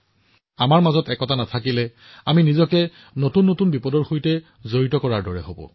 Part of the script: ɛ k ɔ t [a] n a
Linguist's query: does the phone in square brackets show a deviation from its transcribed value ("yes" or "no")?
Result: no